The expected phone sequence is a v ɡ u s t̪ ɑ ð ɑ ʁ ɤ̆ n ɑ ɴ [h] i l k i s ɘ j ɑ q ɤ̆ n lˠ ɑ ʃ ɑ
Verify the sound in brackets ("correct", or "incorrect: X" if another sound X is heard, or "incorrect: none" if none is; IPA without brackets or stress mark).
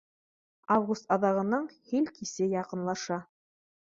correct